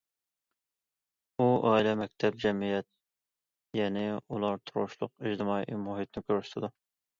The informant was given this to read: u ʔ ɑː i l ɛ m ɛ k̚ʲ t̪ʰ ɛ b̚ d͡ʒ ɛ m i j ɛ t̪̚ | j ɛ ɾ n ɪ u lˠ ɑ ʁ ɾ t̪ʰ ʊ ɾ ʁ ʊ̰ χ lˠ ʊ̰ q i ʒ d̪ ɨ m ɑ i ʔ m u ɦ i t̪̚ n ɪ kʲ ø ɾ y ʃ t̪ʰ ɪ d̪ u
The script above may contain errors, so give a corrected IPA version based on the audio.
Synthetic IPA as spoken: u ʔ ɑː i l ɛ m ɛ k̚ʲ t̪ʰ ɛ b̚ d͡ʒ ɛ m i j ɛ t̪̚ | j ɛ n ɪ u lˠ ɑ ɾ t̪ʰ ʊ ɾ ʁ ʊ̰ ʃ lˠ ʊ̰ q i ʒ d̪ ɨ m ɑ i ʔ m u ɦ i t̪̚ n ɪ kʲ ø ɾ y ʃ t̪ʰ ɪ d̪ u